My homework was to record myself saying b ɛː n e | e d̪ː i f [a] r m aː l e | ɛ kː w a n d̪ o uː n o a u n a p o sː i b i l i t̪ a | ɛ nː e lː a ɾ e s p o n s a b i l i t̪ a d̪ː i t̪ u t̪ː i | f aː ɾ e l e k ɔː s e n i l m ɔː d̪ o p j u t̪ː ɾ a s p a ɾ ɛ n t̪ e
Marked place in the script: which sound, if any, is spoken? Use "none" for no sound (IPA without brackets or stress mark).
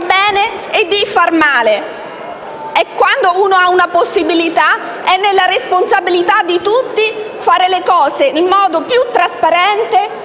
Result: a